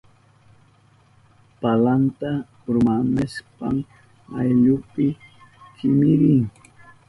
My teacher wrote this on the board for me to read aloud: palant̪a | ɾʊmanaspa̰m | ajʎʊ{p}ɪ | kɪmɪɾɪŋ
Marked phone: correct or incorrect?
correct